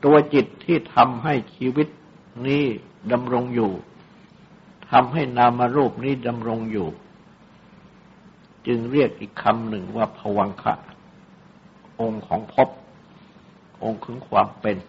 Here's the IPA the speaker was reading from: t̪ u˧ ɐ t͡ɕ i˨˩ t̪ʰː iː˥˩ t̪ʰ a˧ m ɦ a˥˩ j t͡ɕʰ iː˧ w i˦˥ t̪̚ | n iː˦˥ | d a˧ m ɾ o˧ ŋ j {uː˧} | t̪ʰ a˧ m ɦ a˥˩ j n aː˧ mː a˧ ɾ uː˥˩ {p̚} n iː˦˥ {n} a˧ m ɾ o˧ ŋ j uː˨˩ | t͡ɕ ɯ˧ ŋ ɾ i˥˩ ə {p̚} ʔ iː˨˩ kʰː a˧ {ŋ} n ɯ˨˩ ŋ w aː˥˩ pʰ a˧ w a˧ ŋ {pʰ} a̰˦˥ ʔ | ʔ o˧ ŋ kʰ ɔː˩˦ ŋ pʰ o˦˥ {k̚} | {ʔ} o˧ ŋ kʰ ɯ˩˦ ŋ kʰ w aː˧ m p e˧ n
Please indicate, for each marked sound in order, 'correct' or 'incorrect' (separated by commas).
incorrect, correct, incorrect, incorrect, incorrect, incorrect, incorrect, correct